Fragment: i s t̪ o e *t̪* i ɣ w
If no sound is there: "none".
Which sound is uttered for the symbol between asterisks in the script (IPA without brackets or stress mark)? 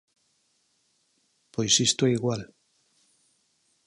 none